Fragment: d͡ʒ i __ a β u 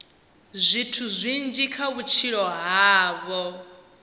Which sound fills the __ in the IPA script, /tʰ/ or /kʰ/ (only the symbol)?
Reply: kʰ